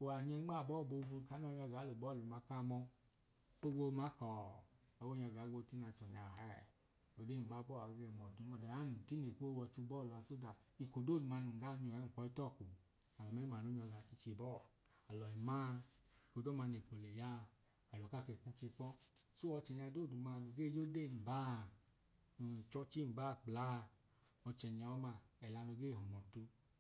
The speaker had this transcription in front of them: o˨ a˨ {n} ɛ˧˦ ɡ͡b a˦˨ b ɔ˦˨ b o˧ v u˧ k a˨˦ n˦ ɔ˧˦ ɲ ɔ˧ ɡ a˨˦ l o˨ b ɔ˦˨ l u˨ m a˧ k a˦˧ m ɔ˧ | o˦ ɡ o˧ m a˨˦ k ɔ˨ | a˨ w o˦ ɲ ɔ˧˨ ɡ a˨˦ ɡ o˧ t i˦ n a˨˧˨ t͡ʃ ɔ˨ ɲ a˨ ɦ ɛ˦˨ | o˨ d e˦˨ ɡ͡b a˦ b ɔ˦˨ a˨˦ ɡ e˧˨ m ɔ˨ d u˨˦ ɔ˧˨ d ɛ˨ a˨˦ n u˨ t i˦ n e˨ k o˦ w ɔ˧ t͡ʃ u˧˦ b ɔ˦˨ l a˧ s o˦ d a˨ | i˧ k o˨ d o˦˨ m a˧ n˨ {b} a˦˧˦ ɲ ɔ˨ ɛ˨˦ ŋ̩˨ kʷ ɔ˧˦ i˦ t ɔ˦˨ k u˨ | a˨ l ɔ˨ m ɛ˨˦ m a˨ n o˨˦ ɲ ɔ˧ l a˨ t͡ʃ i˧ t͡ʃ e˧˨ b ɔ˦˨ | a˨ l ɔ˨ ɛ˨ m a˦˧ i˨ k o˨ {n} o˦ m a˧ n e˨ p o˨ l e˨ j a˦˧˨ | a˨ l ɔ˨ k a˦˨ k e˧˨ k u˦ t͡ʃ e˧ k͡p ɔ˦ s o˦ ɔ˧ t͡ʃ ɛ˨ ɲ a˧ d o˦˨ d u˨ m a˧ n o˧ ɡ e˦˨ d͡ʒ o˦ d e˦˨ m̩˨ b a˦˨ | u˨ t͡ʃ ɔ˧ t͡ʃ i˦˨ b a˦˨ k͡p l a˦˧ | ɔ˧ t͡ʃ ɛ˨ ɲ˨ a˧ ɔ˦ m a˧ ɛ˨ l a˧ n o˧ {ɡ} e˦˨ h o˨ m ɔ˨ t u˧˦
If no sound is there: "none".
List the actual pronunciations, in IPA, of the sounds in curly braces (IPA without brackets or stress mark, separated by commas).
ɲ, ɡ, d, ɡ